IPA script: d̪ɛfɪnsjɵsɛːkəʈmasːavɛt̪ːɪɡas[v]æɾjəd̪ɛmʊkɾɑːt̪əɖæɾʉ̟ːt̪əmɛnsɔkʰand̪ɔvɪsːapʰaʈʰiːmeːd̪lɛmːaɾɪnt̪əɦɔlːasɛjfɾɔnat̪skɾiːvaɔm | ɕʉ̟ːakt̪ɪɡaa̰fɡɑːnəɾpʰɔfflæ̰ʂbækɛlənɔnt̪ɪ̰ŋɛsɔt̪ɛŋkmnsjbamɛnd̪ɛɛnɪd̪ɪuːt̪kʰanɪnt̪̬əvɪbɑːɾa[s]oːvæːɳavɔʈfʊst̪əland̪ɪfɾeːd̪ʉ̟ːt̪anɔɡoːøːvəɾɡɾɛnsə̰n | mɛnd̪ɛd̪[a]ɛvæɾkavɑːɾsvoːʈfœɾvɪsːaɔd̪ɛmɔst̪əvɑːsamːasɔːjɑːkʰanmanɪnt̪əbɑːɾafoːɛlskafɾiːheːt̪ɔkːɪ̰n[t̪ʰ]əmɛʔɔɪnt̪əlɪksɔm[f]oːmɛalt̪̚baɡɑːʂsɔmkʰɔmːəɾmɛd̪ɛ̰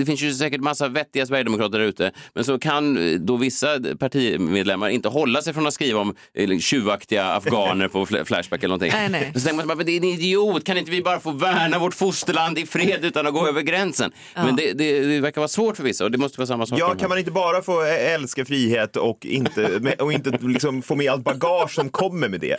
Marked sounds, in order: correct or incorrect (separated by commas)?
correct, incorrect, incorrect, incorrect, correct